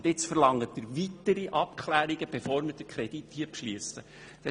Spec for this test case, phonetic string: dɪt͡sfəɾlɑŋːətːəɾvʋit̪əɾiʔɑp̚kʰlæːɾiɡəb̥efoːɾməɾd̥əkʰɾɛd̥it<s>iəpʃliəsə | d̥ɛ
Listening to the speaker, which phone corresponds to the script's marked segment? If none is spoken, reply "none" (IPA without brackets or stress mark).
h